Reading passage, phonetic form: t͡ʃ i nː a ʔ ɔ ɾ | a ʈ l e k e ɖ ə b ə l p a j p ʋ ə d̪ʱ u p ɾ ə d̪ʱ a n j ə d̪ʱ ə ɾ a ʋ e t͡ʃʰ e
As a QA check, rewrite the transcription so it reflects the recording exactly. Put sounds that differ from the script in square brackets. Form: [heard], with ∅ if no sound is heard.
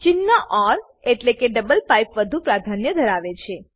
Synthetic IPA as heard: t͡ʃ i nː a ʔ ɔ ɾ | [e] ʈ l e k e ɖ ə b ə l p a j p ʋ ə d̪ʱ u p ɾ [a] d̪ʱ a n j ə d̪ʱ ə ɾ a ʋ e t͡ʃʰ e